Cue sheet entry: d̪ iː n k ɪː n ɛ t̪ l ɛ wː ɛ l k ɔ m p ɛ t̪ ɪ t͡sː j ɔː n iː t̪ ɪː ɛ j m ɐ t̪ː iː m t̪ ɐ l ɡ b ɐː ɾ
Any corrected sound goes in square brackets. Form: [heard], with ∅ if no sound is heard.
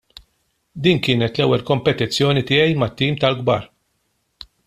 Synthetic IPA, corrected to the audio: d̪ iː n k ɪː n ɛ t̪ l ɛ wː ɛ l k ɔ m p ɛ t̪ ɪ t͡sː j ɔː n [i] t̪ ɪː ɛ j m ɐ t̪ː iː m t̪ ɐ l ɡ b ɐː ɾ